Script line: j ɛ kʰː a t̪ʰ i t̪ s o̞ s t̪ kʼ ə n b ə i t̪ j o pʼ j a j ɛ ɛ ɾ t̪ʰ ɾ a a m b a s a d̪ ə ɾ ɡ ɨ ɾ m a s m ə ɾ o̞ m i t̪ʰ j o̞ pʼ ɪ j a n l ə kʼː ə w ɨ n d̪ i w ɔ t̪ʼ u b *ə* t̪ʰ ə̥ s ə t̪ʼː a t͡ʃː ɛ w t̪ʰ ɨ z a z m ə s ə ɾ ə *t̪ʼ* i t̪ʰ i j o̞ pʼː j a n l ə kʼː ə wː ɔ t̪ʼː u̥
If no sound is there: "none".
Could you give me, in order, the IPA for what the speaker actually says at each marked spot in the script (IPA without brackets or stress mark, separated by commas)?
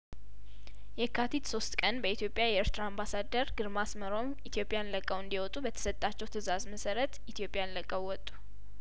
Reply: ə, t̪